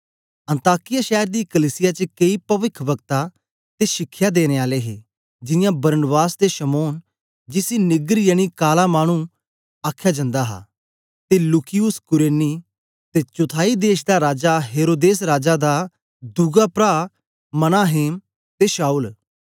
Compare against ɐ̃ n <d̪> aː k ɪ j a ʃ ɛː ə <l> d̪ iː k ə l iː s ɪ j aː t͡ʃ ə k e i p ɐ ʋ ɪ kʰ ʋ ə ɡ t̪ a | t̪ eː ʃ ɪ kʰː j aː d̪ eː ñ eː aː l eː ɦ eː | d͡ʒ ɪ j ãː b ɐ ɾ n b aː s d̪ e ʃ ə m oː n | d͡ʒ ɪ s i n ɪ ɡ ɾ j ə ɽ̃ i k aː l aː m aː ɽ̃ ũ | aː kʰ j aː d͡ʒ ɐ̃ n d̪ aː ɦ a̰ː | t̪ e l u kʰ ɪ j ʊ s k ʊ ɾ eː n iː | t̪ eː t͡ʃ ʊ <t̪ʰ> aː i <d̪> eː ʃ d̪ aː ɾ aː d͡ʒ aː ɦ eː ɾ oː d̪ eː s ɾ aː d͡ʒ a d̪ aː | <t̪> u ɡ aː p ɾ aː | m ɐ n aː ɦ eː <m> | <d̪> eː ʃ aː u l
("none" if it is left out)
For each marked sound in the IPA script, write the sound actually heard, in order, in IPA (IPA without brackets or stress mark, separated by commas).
t̪, ɾ, t̪ʰ, d̪, d̪, m, t̪